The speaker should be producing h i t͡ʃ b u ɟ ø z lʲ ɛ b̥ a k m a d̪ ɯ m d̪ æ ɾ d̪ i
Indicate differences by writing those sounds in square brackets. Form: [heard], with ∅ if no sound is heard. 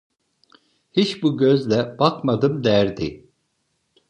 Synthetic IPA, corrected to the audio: h i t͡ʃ b u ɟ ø z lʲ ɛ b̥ a k m a d̪ ɯ m d̪ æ ɾ d̪ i